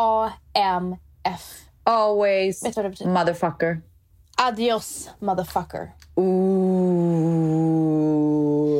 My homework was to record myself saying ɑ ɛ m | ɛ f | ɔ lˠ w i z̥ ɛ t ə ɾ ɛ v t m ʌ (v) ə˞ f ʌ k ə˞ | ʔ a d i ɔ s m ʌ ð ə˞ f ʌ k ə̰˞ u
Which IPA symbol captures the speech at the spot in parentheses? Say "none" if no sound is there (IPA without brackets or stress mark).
ð